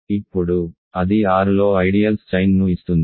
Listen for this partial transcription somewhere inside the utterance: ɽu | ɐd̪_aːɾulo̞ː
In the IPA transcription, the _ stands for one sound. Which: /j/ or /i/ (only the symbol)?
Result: i